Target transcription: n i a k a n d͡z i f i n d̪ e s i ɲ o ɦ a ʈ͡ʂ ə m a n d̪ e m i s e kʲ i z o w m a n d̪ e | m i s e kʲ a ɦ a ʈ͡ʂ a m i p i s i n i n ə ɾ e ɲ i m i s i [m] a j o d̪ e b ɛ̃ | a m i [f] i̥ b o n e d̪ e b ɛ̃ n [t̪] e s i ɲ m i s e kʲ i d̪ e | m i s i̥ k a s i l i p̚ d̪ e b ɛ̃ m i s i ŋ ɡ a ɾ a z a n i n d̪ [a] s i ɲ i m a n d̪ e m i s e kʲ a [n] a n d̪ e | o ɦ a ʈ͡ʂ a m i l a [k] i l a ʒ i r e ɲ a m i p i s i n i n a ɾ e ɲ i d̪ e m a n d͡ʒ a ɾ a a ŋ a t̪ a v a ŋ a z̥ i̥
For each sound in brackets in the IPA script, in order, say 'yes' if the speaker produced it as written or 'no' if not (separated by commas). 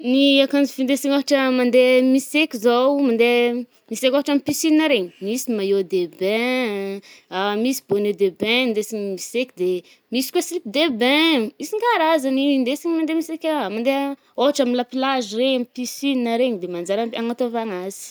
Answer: yes, no, no, no, no, no